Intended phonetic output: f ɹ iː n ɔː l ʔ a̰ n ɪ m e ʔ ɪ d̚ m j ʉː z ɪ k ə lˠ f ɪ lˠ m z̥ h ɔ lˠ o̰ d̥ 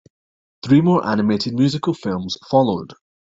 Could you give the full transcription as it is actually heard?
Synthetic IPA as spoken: θ ɹ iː m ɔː ɹ ʔ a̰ n ɪ m e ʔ ɪ d̚ m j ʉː z ɪ k ə lˠ f ɪ lˠ m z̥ f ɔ lˠ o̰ d̥

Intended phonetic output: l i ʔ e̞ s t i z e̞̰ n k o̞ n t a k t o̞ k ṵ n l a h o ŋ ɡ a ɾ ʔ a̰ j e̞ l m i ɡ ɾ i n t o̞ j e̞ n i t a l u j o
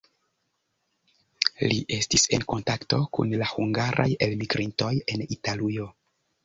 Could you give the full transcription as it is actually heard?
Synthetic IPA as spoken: l i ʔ e̞ s t i s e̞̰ n k o̞ n t a k t o̞ k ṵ n l a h u ŋ ɡ a ɾ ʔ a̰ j e̞ l m i ɡ ɾ i n t o̞ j e̞ n i t a l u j o

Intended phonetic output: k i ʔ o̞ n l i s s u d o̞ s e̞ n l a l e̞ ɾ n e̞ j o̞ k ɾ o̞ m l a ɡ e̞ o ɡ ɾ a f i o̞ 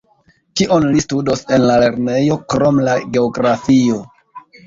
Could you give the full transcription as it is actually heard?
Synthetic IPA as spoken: k i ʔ o̞ n l i s t u d o̞ s e̞ n l a l e̞ ɾ n e̞ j o̞ k ɾ o̞ m l a ɡ e̞ o ɡ ɾ a f i o̞

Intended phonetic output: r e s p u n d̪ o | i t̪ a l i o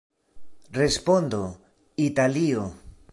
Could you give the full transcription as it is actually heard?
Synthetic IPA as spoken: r e s p o n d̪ o | i t̪ a l i o

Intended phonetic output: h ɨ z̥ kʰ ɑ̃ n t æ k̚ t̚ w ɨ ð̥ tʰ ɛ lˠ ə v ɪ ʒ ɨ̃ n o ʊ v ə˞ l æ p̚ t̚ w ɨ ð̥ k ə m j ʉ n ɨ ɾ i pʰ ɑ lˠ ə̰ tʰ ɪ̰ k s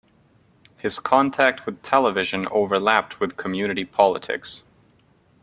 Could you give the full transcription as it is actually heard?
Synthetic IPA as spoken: h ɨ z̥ kʰ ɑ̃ n tʰ æ k̚ t̚ w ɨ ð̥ tʰ ɛ lˠ ə v ɪ ʒ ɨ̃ n o ʊ v ə˞ l æ p̚ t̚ w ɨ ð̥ kʰ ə m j ʉ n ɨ ɾ i pʰ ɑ lˠ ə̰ tʰ ɪ̰ k s

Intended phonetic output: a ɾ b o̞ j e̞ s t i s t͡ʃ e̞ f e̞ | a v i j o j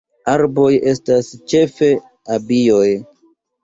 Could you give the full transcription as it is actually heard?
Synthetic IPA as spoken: a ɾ b o̞ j e̞ s t a s t͡ʃ e̞ f e̞ | a b i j o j

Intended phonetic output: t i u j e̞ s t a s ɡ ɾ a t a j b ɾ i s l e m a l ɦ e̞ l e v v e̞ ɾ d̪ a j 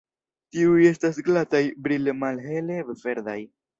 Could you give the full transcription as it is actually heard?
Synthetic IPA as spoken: t i u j e̞ s t a s ɡ l a t a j b ɾ i l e m a l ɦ e̞ l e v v e̞ ɾ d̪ a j

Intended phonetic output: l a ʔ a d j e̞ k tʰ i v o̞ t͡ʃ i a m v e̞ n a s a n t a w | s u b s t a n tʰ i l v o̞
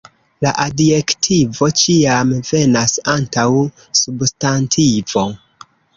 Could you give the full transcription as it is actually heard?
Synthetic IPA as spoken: l a ʔ a d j e̞ k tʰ i v o̞ t͡ʃ i a m v e̞ n a s a n t a w | s u b s t a n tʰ i v o̞

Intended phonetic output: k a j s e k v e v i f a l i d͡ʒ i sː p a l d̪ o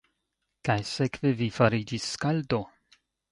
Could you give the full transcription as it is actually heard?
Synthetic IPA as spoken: k a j s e k v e v i f a ɾ i d͡ʒ i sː k a l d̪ o

